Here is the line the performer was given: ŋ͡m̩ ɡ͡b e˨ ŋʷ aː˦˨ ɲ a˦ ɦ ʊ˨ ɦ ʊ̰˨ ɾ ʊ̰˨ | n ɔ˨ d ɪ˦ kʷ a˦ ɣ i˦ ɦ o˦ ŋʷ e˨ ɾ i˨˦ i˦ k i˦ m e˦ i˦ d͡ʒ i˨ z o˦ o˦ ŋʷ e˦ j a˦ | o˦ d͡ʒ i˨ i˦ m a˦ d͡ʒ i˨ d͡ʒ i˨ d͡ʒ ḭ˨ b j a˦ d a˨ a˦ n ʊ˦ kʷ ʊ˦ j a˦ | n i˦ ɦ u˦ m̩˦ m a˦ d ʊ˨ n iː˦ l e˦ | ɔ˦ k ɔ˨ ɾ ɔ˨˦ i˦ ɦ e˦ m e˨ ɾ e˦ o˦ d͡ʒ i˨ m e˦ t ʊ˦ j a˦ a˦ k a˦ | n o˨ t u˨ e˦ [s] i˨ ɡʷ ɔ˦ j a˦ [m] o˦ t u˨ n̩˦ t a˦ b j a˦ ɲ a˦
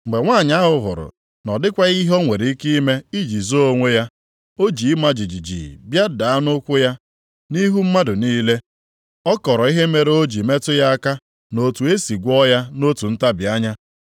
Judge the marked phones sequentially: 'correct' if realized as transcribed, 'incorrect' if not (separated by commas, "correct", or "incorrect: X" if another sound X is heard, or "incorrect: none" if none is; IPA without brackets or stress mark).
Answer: correct, incorrect: n